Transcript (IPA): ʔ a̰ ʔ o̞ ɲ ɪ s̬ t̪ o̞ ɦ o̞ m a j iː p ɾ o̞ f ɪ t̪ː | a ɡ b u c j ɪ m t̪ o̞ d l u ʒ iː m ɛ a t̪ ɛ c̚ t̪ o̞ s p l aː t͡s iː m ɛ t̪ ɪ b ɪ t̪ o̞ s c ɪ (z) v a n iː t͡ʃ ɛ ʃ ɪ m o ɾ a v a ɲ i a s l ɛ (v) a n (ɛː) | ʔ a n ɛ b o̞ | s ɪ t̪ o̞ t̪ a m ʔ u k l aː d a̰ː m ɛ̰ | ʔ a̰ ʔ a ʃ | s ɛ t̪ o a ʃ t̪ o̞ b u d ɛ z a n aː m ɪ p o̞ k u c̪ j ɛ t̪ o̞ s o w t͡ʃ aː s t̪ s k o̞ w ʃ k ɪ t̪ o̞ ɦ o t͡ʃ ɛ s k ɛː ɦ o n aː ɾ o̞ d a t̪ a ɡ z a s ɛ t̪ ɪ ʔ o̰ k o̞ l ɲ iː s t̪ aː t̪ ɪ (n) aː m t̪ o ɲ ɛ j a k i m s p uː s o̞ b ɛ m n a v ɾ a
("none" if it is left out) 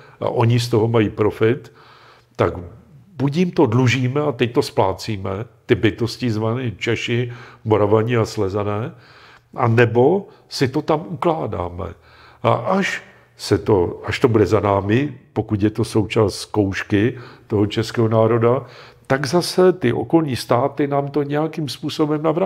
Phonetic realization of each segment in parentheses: z, z, ɛː, n

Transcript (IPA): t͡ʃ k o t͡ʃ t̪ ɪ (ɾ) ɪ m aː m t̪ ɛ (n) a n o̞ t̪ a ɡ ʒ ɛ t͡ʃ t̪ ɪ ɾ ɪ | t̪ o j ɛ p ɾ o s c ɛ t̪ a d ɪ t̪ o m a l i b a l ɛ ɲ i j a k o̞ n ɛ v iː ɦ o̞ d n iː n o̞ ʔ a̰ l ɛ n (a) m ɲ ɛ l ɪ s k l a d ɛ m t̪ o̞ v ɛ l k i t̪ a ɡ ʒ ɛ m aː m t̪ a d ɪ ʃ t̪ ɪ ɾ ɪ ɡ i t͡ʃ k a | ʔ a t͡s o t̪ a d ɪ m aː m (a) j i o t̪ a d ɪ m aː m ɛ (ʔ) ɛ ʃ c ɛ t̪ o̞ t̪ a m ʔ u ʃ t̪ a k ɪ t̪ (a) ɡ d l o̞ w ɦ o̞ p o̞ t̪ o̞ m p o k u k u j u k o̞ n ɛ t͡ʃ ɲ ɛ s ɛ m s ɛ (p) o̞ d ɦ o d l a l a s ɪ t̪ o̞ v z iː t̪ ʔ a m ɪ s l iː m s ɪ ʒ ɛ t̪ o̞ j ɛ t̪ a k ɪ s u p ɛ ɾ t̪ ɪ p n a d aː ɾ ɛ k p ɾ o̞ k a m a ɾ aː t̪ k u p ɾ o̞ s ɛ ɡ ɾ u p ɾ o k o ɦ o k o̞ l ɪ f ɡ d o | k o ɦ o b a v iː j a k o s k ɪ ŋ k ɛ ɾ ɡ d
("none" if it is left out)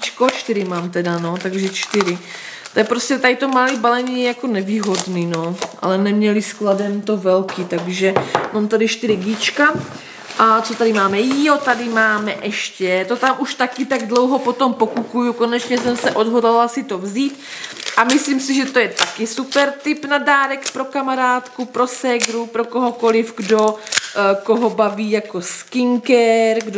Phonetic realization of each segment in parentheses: ɾ, d, ɛ, ɛ, ʔ, a, ʔ

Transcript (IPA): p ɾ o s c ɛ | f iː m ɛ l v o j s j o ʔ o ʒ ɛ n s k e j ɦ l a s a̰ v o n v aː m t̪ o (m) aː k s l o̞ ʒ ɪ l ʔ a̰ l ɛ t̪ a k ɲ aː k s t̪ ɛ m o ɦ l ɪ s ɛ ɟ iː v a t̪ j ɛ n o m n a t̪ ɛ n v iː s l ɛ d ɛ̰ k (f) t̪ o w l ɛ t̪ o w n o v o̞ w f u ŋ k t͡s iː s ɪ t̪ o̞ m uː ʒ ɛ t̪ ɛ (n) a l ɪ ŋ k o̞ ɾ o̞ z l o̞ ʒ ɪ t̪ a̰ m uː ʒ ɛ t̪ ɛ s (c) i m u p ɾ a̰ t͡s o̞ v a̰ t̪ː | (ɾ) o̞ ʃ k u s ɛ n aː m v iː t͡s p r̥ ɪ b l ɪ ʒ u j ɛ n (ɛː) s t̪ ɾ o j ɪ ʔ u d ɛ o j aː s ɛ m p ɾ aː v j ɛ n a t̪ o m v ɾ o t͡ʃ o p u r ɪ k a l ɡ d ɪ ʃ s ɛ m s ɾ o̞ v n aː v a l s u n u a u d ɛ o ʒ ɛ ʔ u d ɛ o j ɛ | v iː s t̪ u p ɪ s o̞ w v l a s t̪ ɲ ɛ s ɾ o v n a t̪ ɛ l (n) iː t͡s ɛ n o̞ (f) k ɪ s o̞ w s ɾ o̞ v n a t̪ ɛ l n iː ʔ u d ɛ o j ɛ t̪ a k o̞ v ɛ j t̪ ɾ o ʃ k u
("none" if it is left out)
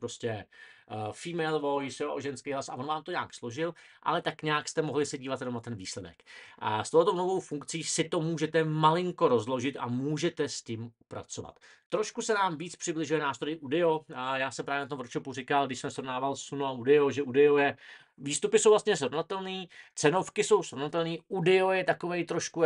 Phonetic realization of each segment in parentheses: ɲ, s, m, c, ɾ, aː, n, f

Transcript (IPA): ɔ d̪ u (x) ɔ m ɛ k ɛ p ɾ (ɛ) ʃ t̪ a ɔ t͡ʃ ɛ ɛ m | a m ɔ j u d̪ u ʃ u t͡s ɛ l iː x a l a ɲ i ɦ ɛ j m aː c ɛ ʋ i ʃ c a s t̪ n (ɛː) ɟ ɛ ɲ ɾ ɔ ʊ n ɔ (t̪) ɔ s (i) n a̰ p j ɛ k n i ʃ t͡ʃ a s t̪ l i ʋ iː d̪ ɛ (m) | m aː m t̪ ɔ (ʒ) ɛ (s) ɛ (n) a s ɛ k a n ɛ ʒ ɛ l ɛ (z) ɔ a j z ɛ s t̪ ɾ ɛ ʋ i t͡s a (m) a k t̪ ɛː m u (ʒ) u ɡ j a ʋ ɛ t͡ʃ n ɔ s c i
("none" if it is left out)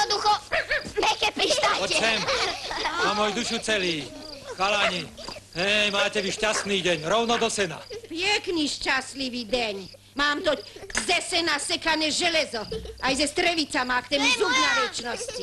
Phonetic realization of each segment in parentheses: x, i, iː, d̪, ɛ, ɲ, z, s, n, z, m, z

